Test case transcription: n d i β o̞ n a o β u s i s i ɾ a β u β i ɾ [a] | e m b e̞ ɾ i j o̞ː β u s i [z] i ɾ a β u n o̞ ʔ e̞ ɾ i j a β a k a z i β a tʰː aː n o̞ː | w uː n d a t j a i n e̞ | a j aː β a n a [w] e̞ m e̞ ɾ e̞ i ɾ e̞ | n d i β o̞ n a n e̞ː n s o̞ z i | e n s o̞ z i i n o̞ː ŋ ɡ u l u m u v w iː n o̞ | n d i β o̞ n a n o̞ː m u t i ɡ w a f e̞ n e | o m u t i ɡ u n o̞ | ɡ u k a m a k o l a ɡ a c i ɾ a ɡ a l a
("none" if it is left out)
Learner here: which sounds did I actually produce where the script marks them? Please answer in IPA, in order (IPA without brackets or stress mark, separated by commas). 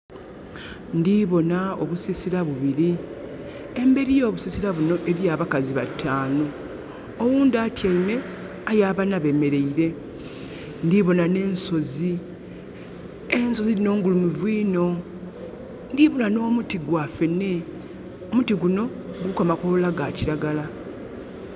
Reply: i, s, β